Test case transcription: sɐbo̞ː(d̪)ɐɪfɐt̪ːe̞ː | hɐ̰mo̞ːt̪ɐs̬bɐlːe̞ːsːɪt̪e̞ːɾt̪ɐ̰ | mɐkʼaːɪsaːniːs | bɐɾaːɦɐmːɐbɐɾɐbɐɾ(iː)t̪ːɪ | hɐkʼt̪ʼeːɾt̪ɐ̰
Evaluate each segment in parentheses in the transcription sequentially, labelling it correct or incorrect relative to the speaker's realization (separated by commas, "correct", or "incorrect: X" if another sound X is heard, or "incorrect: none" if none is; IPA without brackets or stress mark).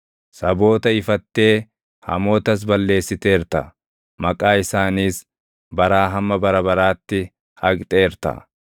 incorrect: t̪, incorrect: aː